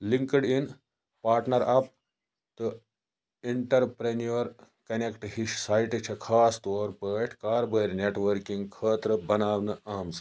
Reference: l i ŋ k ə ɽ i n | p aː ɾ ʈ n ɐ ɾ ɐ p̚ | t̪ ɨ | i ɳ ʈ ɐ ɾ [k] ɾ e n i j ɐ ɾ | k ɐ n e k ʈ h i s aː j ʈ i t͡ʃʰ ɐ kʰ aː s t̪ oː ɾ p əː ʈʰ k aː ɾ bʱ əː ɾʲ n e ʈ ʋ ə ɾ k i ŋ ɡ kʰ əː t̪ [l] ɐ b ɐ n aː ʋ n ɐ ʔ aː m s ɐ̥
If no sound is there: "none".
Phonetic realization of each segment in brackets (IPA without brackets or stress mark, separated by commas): p, ɾ